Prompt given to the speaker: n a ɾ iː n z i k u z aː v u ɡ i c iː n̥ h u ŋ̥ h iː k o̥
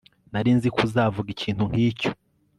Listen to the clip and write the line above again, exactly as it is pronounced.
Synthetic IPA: n a ɾ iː n z i k u z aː v u ɡ i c iː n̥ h u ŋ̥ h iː c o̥